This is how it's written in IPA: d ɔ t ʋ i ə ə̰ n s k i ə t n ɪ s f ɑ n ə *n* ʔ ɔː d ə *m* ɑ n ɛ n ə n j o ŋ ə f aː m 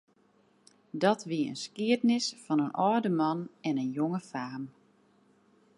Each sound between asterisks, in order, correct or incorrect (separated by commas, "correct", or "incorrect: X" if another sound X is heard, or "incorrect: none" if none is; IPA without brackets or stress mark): correct, correct